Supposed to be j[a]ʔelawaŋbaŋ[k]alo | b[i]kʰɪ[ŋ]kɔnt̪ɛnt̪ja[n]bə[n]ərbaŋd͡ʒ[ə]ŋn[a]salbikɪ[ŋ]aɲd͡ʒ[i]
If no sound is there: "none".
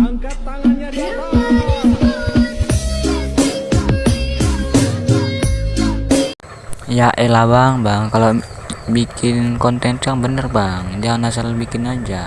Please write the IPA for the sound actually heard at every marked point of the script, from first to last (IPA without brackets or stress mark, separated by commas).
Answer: a, k, i, n, ŋ, n, a, a, n, a